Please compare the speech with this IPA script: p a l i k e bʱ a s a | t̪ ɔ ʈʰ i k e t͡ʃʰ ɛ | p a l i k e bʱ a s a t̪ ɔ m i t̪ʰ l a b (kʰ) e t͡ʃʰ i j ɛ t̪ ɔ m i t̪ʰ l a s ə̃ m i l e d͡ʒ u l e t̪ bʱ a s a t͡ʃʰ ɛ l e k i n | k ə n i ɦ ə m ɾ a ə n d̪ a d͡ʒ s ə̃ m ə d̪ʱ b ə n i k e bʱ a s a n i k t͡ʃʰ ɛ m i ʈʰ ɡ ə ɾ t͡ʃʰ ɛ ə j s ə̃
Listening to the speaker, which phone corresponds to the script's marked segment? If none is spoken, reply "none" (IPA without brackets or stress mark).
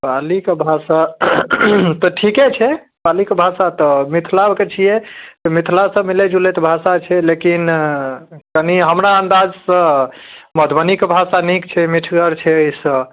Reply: k